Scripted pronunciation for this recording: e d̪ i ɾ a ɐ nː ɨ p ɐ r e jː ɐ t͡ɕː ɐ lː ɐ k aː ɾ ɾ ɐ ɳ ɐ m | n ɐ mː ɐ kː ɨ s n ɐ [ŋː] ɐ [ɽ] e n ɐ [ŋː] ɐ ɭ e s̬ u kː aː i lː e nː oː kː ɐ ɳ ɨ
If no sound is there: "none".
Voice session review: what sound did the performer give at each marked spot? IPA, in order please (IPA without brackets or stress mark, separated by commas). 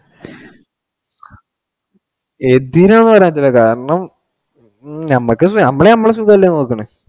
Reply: mː, ɭ, mː